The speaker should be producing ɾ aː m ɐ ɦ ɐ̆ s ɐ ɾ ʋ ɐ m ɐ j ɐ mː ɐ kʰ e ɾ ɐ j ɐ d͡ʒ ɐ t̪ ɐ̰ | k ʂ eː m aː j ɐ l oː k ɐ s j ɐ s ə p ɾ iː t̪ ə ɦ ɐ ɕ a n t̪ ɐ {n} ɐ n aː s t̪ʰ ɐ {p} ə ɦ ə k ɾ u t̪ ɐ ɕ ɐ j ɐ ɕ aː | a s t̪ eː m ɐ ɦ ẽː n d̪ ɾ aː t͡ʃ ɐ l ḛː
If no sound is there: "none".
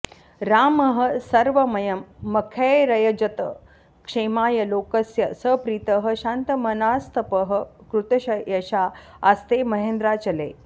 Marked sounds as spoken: m, p

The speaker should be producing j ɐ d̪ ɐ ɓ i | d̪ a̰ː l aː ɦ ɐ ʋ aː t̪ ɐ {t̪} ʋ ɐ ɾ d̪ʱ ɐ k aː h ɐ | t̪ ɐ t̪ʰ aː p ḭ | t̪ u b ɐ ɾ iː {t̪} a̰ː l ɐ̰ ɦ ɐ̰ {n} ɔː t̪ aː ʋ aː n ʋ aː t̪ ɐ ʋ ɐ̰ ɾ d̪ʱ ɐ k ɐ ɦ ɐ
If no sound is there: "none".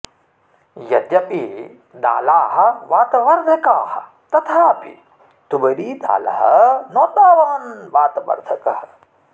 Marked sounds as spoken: none, d̪, n

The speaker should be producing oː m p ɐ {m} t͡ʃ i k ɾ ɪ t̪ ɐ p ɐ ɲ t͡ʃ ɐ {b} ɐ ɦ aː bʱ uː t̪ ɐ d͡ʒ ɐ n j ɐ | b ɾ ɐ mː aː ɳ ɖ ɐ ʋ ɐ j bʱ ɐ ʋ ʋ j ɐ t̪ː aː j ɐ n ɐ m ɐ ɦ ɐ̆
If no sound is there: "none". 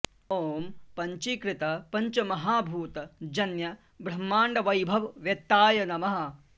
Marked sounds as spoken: ɲ, m

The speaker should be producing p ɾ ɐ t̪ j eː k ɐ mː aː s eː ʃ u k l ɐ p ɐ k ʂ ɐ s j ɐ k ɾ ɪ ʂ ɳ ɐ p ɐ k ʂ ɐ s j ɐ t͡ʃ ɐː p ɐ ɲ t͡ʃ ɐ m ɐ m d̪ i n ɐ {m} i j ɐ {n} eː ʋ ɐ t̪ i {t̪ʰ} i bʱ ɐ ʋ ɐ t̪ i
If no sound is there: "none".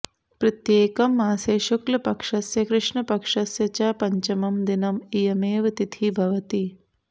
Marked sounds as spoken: m, m, t̪ʰ

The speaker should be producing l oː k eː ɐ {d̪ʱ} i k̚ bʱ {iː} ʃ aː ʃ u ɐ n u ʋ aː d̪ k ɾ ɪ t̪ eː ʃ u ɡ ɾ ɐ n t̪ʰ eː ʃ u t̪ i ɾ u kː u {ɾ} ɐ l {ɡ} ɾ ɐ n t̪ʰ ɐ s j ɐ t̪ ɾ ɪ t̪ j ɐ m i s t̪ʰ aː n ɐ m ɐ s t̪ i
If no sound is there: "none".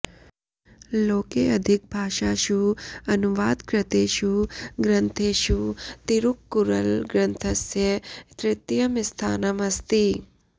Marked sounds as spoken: d̪ʱ, aː, ɾ, ɡ

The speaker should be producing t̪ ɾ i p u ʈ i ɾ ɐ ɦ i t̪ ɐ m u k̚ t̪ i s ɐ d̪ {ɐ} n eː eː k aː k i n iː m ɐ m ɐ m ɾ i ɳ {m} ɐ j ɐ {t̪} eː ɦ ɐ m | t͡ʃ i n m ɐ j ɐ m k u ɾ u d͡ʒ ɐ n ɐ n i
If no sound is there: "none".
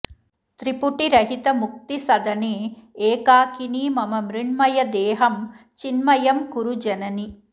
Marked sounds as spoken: ɐ, m, d̪

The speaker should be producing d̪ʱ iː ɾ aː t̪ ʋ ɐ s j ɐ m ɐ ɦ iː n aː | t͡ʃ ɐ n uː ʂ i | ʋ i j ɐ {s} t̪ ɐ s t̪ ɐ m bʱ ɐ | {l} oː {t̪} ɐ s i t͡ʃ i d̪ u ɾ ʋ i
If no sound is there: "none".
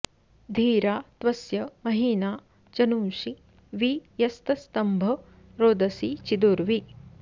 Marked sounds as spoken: s, ɾ, d̪

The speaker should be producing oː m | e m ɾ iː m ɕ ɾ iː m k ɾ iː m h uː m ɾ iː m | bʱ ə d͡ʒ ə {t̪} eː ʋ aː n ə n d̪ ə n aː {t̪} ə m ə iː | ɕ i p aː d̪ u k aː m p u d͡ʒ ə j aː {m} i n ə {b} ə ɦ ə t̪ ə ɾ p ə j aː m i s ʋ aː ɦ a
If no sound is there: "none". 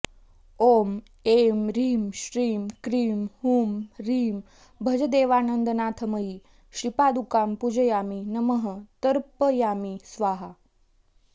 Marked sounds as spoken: d̪, t̪ʰ, m, m

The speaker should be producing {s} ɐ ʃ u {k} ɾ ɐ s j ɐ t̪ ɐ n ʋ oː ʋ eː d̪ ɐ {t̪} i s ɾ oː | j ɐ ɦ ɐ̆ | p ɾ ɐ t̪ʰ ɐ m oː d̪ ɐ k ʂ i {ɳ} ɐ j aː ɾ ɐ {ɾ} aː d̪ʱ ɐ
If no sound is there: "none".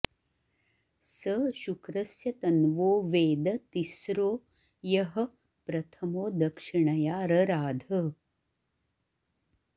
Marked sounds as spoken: s, k, t̪, ɳ, ɾ

